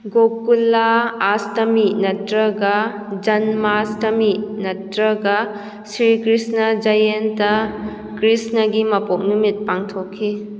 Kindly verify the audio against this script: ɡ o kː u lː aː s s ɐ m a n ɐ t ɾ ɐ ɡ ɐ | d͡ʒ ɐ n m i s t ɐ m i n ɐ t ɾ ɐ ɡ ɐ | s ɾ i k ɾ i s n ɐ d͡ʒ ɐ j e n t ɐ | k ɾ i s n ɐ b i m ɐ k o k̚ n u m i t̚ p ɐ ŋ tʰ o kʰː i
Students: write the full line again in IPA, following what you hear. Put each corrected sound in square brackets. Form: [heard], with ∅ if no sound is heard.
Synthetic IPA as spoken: ɡ o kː u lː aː s [t] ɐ m [i] n ɐ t ɾ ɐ ɡ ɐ | d͡ʒ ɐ n m [a] s t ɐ m i n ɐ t ɾ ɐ ɡ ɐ | s ɾ i k ɾ i s n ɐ d͡ʒ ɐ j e n t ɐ | k ɾ i s n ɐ [ɡ] i m ɐ [p] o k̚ n u m i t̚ p [a] ŋ tʰ o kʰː i